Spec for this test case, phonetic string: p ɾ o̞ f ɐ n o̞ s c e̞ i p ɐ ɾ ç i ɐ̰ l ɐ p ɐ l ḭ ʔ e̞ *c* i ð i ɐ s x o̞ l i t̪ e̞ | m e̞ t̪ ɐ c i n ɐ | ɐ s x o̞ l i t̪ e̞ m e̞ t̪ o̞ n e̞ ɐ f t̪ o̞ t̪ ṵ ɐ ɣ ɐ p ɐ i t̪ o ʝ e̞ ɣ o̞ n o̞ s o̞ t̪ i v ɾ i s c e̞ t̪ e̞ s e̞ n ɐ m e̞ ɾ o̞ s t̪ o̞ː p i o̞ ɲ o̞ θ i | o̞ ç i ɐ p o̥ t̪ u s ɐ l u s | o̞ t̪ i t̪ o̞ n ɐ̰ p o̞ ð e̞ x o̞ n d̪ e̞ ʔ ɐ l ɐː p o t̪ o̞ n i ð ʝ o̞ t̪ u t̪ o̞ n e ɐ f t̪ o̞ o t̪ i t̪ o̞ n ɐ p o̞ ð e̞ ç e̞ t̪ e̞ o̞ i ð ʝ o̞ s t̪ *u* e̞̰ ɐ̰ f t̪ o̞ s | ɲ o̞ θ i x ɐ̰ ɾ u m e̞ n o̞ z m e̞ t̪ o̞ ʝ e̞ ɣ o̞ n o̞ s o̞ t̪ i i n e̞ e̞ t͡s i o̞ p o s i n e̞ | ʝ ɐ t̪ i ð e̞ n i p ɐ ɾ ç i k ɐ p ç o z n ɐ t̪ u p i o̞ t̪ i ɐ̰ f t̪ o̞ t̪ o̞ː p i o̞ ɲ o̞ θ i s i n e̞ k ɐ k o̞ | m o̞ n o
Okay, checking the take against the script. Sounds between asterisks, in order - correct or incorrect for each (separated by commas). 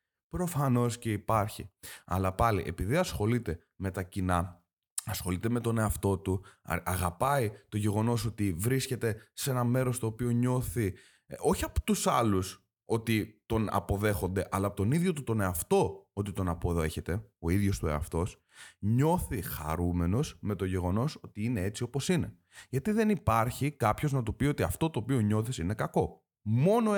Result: incorrect, correct